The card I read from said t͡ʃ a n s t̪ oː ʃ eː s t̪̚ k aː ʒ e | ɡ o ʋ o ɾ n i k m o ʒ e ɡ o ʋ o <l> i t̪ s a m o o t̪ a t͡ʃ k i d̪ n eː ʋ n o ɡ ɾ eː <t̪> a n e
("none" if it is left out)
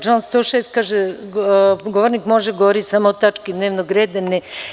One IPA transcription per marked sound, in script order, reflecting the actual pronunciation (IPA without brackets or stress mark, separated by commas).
ɾ, d̪